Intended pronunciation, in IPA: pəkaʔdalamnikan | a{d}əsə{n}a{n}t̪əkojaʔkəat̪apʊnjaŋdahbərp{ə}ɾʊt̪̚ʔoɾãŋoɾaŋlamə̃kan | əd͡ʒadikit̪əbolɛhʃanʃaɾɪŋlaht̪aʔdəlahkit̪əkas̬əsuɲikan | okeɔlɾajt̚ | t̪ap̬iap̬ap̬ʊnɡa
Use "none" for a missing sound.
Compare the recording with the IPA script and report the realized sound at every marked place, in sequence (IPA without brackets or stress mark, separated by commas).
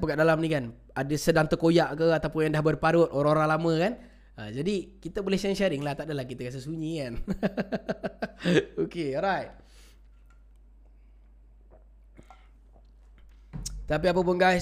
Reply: d, d, ŋ, a